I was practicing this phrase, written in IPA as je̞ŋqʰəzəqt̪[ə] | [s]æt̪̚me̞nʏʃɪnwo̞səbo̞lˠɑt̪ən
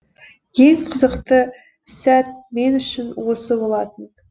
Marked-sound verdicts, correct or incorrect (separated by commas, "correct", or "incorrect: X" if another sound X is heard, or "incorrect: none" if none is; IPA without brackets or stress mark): correct, correct